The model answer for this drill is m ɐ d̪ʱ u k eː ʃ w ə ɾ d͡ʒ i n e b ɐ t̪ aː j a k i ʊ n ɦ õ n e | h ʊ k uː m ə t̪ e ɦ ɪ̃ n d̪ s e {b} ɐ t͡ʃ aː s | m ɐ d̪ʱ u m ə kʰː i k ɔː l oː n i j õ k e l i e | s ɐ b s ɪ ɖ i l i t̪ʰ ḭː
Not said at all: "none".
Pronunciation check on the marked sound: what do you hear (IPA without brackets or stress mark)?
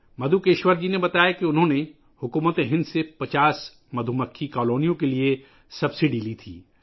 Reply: p